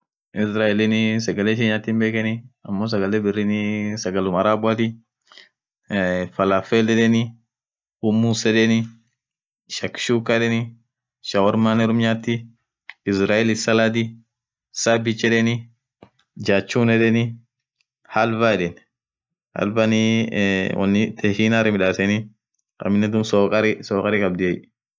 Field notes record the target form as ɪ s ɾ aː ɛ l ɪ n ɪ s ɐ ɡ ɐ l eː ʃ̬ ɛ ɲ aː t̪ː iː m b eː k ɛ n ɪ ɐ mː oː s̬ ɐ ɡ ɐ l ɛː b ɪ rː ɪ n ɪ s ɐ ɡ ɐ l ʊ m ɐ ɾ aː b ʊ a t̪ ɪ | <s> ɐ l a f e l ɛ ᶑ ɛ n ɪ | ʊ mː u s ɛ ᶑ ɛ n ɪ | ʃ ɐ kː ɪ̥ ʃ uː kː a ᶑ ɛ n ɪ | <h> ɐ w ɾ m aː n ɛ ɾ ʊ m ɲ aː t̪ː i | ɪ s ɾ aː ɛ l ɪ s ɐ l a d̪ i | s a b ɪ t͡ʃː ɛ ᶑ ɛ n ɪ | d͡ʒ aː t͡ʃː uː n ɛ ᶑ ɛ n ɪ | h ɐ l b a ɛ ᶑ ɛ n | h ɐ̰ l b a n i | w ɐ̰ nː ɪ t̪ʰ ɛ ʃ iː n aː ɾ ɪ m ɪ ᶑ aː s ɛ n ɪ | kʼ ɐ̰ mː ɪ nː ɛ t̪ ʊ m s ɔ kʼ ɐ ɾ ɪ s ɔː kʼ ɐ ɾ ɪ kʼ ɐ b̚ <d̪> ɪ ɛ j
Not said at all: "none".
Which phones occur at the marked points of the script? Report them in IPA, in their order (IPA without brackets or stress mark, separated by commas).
f, ʃ, d̪